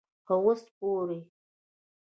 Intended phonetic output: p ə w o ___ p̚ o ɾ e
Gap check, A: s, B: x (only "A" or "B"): A